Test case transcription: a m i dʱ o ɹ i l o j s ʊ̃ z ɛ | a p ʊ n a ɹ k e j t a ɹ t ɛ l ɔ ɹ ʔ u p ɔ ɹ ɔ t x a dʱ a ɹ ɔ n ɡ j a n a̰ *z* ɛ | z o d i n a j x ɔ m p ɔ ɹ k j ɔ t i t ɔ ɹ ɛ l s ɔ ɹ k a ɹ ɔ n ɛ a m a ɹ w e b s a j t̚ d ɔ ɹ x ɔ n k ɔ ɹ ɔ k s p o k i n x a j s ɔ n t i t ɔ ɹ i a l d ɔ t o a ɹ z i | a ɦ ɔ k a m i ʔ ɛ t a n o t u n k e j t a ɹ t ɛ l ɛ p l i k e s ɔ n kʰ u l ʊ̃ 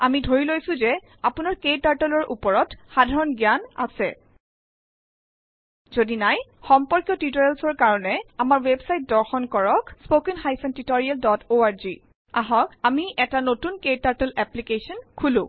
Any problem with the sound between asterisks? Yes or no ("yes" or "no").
yes